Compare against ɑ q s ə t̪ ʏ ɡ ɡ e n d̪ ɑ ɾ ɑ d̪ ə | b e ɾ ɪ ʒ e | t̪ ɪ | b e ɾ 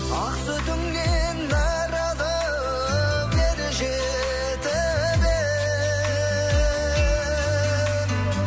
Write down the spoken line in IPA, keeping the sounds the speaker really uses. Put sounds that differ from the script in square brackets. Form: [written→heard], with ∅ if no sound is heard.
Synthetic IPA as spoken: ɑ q s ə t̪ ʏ [ɡ→ŋ] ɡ e n d̪ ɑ ɾ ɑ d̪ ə | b e ɾ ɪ ʒ e | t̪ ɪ | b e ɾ

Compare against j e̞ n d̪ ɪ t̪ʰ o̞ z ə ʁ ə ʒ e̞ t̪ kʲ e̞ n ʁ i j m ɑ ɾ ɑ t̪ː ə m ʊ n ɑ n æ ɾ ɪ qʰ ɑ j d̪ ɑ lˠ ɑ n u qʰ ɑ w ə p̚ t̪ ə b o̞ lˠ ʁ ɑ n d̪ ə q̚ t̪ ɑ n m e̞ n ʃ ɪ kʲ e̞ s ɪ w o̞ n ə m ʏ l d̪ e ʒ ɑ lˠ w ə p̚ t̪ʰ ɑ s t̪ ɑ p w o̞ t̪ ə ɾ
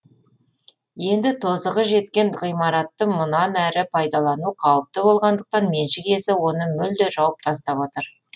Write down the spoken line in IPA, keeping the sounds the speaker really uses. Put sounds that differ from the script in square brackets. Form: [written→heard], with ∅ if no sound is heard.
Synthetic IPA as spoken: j e̞ n d̪ ɪ t̪ʰ o̞ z ə ʁ ə ʒ e̞ t̪ kʲ e̞ n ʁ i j m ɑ ɾ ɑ t̪ː ə m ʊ n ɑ n æ ɾ ɪ [qʰ→pʰ] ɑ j d̪ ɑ lˠ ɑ n u qʰ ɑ w ə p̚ t̪ ə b o̞ lˠ ʁ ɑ n d̪ ə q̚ t̪ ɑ n m e̞ n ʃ ɪ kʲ e̞ s ɪ w o̞ n ə m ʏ l d̪ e ʒ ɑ [lˠ→∅] w ə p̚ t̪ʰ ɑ s t̪ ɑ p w o̞ t̪ ə ɾ

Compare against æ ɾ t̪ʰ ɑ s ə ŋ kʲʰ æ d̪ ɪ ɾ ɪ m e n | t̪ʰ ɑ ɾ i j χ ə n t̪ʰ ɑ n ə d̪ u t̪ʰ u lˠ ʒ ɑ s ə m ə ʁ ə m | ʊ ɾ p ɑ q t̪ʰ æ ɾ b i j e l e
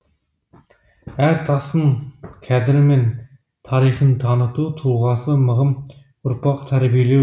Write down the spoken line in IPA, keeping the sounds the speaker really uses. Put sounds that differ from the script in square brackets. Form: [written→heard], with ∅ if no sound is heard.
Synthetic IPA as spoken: æ ɾ t̪ʰ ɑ s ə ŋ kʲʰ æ d̪ ɪ ɾ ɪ m e n | t̪ʰ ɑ ɾ i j χ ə n t̪ʰ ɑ n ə [d̪→t̪] u t̪ʰ u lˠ [ʒ→ʁ] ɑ s ə m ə ʁ ə m | ʊ ɾ p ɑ q t̪ʰ æ ɾ b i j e l e

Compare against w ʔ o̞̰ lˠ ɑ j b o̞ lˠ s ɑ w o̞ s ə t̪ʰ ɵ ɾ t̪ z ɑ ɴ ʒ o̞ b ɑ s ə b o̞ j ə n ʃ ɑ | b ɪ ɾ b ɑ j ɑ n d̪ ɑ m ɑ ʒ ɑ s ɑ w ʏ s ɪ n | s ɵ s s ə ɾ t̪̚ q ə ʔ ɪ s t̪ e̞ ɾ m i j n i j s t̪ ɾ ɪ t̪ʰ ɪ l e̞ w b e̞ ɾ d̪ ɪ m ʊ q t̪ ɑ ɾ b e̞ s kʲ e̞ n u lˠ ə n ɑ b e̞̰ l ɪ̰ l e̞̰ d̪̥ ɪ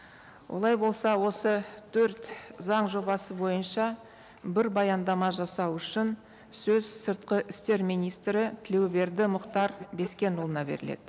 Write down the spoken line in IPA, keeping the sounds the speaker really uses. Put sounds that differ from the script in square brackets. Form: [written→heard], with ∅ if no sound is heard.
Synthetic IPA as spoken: w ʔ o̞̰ lˠ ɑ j b o̞ lˠ s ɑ w o̞ s ə t̪ʰ ɵ ɾ t̪ z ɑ ɴ ʒ o̞ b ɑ s ə b o̞ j ə n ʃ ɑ | b ɪ ɾ b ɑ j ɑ n d̪ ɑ m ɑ ʒ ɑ s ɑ w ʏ [s→ʃ] ɪ n | s ɵ [s→z] s ə ɾ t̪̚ q ə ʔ ɪ s t̪ e̞ ɾ m i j n i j s t̪ ɾ ɪ t̪ʰ ɪ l e̞ w b e̞ ɾ d̪ ɪ m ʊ q t̪ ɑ ɾ b e̞ s kʲ e̞ n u lˠ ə n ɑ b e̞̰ [l→ɾ] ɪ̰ l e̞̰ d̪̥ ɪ

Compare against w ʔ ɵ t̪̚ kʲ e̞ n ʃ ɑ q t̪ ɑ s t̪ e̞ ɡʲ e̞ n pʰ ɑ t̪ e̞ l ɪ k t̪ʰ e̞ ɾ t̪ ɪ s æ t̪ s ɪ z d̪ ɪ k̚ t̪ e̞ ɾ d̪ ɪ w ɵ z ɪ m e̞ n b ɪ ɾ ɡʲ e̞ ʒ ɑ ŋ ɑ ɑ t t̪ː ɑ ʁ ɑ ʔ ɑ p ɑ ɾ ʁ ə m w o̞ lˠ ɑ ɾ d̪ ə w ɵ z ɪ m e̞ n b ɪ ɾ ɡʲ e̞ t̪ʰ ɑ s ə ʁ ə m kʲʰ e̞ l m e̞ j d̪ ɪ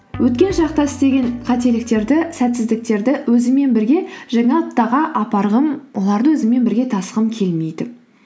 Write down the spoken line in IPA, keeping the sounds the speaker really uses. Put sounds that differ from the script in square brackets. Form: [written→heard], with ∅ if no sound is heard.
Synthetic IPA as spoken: w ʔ ɵ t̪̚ kʲ e̞ n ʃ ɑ q t̪ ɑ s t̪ e̞ ɡʲ e̞ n [pʰ→qʰ] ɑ t̪ e̞ l ɪ k [t̪ʰ→t̪] e̞ ɾ [t̪→d̪] ɪ s æ t̪ s ɪ z d̪ ɪ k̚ t̪ e̞ ɾ d̪ ɪ w ɵ z ɪ m e̞ n b ɪ ɾ ɡʲ e̞ ʒ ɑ ŋ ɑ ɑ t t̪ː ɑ ʁ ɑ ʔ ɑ p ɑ ɾ ʁ ə m w o̞ lˠ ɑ ɾ d̪ ə w ɵ z ɪ m e̞ n b ɪ ɾ ɡʲ e̞ t̪ʰ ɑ s ə ʁ ə m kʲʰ e̞ l m e̞ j d̪ ɪ

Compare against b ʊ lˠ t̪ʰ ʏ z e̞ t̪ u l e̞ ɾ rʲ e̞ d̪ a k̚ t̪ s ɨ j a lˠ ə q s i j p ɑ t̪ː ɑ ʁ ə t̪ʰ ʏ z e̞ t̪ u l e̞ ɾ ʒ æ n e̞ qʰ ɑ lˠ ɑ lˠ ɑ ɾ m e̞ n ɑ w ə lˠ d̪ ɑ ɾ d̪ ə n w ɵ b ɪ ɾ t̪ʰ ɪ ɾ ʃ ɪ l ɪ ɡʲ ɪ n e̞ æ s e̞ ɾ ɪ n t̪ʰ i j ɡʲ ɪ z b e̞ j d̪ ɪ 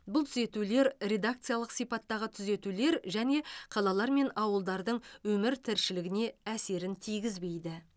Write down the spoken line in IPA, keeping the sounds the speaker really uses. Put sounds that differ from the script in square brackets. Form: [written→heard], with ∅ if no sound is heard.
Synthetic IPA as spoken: b ʊ lˠ t̪ʰ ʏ z e̞ t̪ u l e̞ ɾ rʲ e̞ d̪ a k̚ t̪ s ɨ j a lˠ ə q s i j p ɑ t̪ː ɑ ʁ ə t̪ʰ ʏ z e̞ t̪ u l e̞ ɾ ʒ æ n e̞ qʰ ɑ lˠ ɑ lˠ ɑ ɾ m e̞ n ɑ w ə lˠ d̪ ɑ ɾ d̪ ə [n→ɴ] w ɵ [b→m] ɪ ɾ t̪ʰ ɪ ɾ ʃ ɪ l ɪ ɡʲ ɪ n e̞ æ s e̞ ɾ ɪ n t̪ʰ i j ɡʲ ɪ z b e̞ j d̪ ɪ

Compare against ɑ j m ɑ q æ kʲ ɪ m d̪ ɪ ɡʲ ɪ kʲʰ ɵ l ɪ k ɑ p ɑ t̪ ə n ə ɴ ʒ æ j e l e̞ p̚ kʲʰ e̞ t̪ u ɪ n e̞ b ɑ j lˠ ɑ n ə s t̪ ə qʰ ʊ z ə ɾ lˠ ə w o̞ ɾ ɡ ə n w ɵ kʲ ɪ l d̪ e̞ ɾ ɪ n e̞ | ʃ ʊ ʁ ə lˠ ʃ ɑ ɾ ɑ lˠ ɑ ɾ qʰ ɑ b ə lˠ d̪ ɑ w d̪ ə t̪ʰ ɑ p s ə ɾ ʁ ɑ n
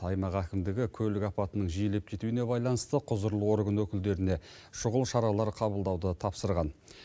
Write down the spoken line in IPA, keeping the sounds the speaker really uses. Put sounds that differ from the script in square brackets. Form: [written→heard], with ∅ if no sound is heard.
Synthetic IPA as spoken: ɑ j m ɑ q æ kʲ ɪ m d̪ ɪ ɡʲ ɪ kʲʰ ɵ l ɪ k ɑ p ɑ t̪ ə n ə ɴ ʒ [æ→i] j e l e̞ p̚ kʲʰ e̞ t̪ u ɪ n e̞ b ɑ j lˠ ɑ n ə s t̪ ə qʰ ʊ z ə ɾ lˠ ə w o̞ ɾ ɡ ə n w ɵ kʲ ɪ l d̪ e̞ ɾ ɪ n e̞ | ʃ ʊ ʁ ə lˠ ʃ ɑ ɾ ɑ lˠ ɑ ɾ qʰ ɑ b ə lˠ d̪ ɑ w d̪ ə t̪ʰ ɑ p s ə ɾ ʁ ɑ n

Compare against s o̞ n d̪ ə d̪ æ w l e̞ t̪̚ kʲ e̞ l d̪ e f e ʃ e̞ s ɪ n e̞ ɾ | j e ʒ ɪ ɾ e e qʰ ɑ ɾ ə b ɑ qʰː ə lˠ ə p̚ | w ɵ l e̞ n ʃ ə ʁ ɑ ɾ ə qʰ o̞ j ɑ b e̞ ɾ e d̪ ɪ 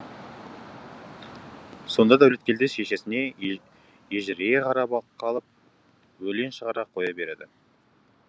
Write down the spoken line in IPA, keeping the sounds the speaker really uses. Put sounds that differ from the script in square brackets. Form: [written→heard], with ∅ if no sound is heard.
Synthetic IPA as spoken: s o̞ n d̪ [ə→ɑ] d̪ æ w l e̞ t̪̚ kʲ e̞ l d̪ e [f→ʃ] e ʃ e̞ s ɪ n e̞ [ɾ→∅] | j e ʒ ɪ ɾ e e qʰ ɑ ɾ [ə→ɑ] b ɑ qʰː [ə→ɑ] lˠ ə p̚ | w ɵ l e̞ n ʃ ə ʁ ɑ ɾ [ə→ɑ] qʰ o̞ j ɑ b e̞ ɾ e d̪ ɪ

